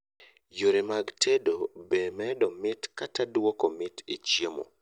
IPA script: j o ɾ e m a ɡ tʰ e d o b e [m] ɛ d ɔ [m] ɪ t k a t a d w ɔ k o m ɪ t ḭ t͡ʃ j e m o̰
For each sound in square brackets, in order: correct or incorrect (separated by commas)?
correct, correct